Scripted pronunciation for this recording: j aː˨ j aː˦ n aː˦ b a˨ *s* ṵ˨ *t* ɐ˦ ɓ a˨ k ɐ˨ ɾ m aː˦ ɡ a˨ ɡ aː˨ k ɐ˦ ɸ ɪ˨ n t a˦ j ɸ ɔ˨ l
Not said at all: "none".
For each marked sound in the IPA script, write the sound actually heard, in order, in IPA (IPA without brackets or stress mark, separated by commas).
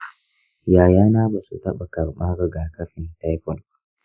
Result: s, t